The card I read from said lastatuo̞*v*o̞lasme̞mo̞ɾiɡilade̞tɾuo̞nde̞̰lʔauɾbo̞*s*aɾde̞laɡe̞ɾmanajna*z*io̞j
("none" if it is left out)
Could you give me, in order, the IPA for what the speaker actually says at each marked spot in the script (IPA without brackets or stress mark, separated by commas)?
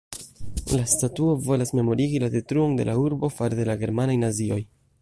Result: v, f, z